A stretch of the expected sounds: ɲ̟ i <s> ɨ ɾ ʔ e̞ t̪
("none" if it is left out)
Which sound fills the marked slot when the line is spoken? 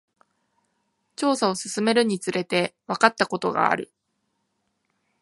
t͡s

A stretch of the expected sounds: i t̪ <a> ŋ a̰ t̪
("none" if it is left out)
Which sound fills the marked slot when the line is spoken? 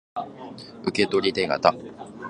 e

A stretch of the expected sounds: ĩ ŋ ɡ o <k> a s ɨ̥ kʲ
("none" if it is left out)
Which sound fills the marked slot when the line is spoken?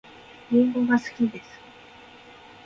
ɡ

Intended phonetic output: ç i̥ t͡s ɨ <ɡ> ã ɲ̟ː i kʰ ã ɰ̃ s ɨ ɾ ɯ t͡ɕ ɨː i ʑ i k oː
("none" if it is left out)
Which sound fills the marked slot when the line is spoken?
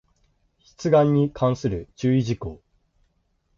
ɡ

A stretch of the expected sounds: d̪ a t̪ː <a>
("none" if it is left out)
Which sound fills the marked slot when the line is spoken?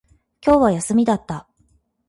a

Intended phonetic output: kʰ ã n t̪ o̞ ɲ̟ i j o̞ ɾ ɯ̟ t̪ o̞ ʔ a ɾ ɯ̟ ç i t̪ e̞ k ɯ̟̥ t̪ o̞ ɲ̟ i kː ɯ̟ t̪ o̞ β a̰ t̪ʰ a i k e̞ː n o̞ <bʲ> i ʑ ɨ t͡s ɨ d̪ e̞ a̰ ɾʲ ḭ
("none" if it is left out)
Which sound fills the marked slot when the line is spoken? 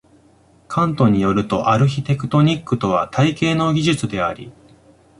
ɡʲ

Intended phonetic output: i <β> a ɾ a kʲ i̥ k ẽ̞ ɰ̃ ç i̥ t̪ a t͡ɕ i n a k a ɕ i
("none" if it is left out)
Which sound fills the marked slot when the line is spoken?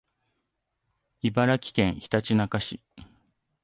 b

